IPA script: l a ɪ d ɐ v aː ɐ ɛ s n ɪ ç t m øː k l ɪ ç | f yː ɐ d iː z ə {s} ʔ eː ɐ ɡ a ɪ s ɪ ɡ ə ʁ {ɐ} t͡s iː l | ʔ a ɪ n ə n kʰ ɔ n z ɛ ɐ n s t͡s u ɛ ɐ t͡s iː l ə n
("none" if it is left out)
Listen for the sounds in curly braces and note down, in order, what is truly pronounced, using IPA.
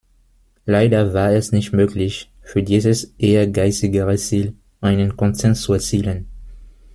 s, ə

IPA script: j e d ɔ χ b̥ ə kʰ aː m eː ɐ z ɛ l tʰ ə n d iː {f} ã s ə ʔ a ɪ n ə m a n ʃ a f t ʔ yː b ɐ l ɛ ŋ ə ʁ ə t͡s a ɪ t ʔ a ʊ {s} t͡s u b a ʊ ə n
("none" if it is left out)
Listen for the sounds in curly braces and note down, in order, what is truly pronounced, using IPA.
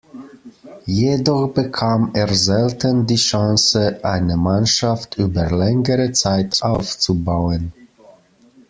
ʃ, f

